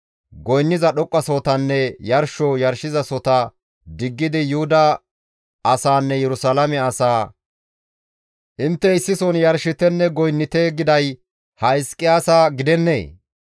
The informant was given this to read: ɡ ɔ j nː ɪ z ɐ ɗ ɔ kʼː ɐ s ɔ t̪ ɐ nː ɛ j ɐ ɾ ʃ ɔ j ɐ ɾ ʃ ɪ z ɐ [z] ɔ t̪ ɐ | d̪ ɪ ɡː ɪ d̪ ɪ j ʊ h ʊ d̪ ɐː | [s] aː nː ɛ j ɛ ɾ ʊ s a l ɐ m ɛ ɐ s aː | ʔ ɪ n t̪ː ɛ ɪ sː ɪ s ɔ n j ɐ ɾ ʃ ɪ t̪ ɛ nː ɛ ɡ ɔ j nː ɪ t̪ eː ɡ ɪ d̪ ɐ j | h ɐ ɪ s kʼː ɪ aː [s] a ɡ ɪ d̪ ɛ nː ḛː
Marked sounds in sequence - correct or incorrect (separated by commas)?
incorrect, correct, correct